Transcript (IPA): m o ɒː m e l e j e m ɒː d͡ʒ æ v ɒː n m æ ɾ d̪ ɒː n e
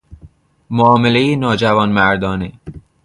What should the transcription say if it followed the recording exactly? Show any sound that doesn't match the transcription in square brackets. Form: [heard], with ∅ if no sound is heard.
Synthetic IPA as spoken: m o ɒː m e l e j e [n] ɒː d͡ʒ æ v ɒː n m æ ɾ d̪ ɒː n e